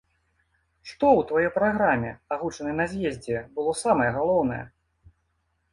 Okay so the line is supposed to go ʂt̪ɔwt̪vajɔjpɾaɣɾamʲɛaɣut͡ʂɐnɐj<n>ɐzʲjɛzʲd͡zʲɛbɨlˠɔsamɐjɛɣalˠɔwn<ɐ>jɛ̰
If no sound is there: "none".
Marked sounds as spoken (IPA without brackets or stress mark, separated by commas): n, ɐ